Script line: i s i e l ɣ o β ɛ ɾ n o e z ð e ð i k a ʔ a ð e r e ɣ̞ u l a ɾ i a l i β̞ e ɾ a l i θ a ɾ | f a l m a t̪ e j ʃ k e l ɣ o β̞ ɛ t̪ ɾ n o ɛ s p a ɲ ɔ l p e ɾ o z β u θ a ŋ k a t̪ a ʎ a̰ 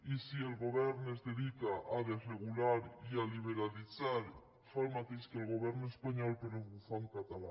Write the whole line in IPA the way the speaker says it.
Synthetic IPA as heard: i s i e l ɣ o β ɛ ɾ n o e z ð e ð i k a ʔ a ð e r e ɣ̞ u l a ɾ i a l i β̞ e ɾ a l i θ a ɾ | f a l m a t̪ e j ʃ k e l ɣ o β̞ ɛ ɾ n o e s p a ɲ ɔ l p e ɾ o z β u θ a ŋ k a t̪ a l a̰